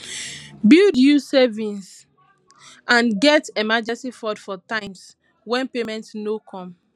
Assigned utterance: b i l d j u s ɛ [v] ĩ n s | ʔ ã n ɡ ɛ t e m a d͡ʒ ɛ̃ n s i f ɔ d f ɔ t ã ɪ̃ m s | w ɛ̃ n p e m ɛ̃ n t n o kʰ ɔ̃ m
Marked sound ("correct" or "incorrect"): correct